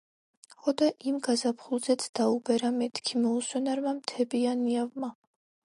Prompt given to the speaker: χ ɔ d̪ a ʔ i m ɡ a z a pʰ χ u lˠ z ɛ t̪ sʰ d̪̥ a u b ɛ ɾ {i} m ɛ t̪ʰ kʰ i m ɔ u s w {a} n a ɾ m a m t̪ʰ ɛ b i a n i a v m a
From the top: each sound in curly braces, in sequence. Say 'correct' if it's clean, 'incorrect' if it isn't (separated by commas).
incorrect, incorrect